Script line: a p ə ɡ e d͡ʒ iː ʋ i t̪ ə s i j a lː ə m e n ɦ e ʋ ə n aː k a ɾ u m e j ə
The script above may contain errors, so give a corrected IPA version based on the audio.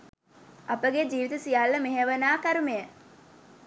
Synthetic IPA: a p ə ɡ e d͡ʒ iː ʋ i t̪ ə s i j a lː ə m e ɦ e ʋ ə n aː k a ɾ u m e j ə